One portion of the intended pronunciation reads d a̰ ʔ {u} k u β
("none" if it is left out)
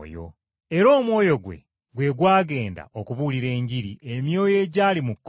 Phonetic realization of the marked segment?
o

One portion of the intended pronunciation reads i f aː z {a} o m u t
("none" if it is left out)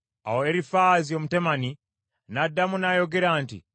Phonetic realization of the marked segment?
i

